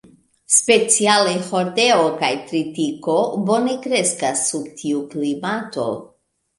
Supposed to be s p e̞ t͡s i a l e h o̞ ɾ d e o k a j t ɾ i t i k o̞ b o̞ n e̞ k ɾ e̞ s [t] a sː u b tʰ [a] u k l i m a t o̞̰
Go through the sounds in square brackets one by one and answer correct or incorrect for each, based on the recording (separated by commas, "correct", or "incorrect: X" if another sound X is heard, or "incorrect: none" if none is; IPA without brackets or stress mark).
incorrect: k, incorrect: i